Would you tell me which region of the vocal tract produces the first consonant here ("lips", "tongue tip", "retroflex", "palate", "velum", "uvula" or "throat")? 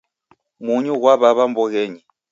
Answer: lips